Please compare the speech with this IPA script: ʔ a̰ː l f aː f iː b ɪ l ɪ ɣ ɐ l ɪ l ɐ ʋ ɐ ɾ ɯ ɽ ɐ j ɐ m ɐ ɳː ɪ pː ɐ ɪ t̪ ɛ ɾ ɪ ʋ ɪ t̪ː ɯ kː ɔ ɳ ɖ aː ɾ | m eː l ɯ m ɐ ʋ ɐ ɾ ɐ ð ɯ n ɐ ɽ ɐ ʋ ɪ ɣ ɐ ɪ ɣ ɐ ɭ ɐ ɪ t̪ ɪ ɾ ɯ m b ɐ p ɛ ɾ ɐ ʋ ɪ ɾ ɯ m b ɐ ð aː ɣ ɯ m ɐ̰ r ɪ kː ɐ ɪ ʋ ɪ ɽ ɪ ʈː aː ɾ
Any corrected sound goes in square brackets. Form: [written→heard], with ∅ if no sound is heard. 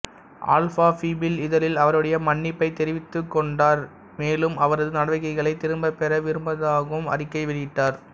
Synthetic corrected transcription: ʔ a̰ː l f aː f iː b ɪ l ɪ [ɣ→ð] ɐ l ɪ l ɐ ʋ ɐ ɾ ɯ ɽ ɐ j ɐ m ɐ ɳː ɪ pː ɐ ɪ t̪ ɛ ɾ ɪ ʋ ɪ t̪ː ɯ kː ɔ ɳ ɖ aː ɾ | m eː l ɯ m ɐ ʋ ɐ ɾ ɐ ð ɯ n ɐ ɽ ɐ ʋ ɪ ɣ ɐ ɪ ɣ ɐ ɭ ɐ ɪ t̪ ɪ ɾ ɯ m b ɐ p ɛ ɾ ɐ ʋ ɪ ɾ ɯ m b ɐ ð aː ɣ ɯ m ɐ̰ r ɪ kː ɐ ɪ ʋ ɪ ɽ ɪ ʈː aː ɾ

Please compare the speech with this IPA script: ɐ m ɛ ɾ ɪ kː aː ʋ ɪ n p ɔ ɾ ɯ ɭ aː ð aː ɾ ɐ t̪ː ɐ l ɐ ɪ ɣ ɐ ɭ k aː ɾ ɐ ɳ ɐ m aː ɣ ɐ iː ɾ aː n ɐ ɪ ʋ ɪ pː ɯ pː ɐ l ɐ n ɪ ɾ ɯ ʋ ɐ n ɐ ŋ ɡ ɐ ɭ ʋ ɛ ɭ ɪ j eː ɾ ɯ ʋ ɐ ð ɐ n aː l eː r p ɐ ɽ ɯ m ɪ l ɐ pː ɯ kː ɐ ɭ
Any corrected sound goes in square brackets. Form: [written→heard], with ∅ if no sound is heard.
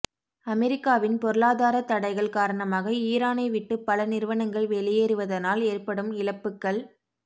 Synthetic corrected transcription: ɐ m ɛ ɾ ɪ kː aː ʋ ɪ n p ɔ ɾ ɯ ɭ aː ð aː ɾ ɐ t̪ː ɐ [l→ɽ] ɐ ɪ ɣ ɐ ɭ k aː ɾ ɐ ɳ ɐ m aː ɣ ɐ iː ɾ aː n ɐ ɪ ʋ ɪ [pː→ʈː] ɯ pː ɐ l ɐ n ɪ ɾ ɯ ʋ ɐ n ɐ ŋ ɡ ɐ ɭ ʋ ɛ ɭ ɪ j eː ɾ ɯ ʋ ɐ ð ɐ n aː l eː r p ɐ ɽ ɯ m ɪ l ɐ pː ɯ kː ɐ ɭ

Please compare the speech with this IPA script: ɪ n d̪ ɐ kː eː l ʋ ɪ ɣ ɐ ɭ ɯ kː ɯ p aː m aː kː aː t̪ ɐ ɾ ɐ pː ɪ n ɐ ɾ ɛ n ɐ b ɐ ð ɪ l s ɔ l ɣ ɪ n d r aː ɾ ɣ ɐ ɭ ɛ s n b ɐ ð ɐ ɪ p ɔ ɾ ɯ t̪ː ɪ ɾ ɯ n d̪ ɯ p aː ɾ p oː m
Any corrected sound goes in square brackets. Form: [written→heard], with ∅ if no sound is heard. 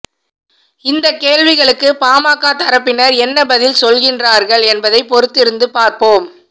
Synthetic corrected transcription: ɪ n d̪ ɐ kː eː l ʋ ɪ ɣ ɐ ɭ ɯ kː ɯ p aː m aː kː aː t̪ ɐ ɾ ɐ pː ɪ n ɐ ɾ ɛ [n→nː] ɐ b ɐ ð ɪ l s ɔ l ɣ ɪ n d r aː ɾ ɣ ɐ ɭ ɛ [s→∅] n b ɐ ð ɐ ɪ p ɔ ɾ ɯ t̪ː ɪ ɾ ɯ n d̪ ɯ p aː ɾ p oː m

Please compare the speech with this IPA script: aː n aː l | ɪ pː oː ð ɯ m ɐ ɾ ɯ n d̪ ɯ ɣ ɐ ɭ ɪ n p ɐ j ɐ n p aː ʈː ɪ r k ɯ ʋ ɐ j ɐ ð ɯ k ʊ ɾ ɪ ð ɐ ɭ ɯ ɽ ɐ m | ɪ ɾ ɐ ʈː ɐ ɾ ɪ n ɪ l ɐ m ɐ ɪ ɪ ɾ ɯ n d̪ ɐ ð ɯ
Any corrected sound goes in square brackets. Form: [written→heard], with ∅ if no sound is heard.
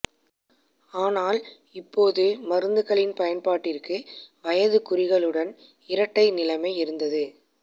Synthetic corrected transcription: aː n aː l | ɪ pː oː ð ɯ m ɐ ɾ ɯ n d̪ ɯ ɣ ɐ ɭ ɪ n p ɐ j ɐ n p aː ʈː ɪ r k ɯ ʋ ɐ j ɐ ð ɯ k ʊ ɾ ɪ [ð→ɣ] ɐ ɭ ɯ ɽ ɐ [m→n] | ɪ ɾ ɐ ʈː ɐ [ɾ→∅] ɪ n ɪ l ɐ m ɐ ɪ ɪ ɾ ɯ n d̪ ɐ ð ɯ

